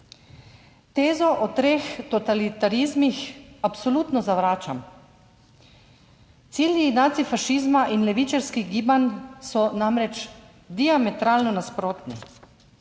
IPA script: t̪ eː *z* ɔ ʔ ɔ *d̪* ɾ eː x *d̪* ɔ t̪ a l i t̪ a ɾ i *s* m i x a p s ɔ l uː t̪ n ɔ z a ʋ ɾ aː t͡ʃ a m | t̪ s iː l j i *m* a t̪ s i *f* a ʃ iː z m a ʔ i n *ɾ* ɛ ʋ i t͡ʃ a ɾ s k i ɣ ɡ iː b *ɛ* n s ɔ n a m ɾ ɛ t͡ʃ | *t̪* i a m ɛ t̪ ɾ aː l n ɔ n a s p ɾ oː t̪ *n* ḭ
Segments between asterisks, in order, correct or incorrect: correct, incorrect, incorrect, incorrect, incorrect, correct, incorrect, incorrect, incorrect, correct

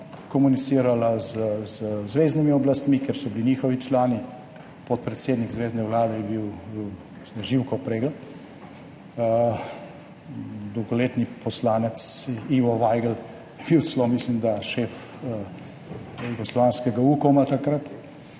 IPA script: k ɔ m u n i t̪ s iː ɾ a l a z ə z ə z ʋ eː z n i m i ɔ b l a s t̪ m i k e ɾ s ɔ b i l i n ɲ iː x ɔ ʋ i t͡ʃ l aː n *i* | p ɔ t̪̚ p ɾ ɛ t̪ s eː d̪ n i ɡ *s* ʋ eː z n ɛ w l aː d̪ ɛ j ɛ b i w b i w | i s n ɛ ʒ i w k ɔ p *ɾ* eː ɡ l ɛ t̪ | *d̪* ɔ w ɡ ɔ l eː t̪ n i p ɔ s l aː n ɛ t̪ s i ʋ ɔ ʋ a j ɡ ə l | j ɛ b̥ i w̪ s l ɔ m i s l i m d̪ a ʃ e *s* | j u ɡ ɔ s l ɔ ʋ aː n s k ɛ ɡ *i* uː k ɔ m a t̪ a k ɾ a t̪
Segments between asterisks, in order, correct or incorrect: correct, incorrect, correct, correct, incorrect, incorrect

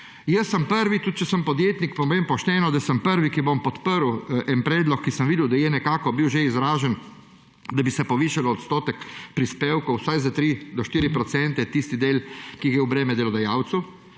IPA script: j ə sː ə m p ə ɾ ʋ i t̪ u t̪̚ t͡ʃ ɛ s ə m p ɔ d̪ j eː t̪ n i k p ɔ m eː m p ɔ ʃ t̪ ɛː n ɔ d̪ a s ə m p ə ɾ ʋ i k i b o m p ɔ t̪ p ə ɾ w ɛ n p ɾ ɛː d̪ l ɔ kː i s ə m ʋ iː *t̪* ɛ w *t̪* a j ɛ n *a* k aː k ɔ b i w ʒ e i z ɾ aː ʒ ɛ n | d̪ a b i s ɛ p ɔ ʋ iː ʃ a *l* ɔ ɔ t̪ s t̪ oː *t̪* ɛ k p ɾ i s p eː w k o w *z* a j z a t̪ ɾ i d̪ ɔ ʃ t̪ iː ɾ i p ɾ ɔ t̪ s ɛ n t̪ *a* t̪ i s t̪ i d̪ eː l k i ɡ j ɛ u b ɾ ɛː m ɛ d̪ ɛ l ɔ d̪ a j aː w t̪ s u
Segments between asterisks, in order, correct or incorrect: incorrect, incorrect, incorrect, correct, correct, incorrect, incorrect

